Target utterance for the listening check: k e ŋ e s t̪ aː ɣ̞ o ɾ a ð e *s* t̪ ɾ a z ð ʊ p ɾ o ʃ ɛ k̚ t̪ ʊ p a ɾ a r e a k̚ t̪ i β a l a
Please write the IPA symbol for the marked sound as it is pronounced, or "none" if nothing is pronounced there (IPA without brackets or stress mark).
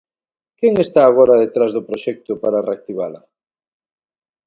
none